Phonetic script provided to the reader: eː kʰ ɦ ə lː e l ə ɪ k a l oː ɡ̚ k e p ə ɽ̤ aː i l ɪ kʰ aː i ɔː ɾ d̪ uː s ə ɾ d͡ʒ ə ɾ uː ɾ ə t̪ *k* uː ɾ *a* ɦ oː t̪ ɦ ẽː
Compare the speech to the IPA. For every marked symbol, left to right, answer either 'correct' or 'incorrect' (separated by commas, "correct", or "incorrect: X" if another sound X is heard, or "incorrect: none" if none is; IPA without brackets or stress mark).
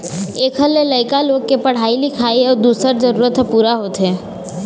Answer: incorrect: p, correct